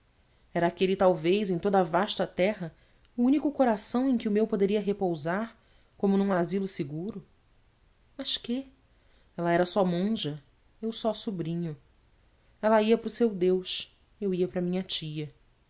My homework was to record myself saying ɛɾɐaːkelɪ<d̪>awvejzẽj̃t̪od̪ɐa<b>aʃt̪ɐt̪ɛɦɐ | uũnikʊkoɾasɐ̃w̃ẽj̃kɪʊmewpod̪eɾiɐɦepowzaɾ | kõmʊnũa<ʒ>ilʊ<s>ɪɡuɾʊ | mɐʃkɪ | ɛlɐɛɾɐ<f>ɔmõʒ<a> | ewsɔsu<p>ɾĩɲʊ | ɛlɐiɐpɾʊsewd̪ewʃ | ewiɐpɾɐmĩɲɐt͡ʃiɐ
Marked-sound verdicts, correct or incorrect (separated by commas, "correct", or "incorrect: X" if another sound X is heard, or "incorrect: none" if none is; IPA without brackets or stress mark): incorrect: t̪, incorrect: v, incorrect: z, correct, incorrect: s, incorrect: ɐ, incorrect: b